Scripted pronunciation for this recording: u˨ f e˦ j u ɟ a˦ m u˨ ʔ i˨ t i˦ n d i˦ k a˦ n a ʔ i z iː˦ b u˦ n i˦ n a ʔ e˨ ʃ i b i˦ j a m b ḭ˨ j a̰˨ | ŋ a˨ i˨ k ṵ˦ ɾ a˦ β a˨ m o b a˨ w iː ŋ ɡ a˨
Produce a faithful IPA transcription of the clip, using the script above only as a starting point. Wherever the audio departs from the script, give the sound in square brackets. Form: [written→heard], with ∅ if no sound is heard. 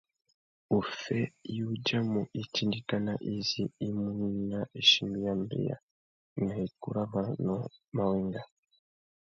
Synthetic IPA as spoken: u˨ f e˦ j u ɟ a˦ m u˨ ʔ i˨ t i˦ n d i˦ k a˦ n a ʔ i z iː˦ [b→m] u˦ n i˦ n a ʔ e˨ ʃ i [b→m] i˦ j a m b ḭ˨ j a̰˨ | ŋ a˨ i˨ k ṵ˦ ɾ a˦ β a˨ [m→n] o [b→m] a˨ w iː ŋ ɡ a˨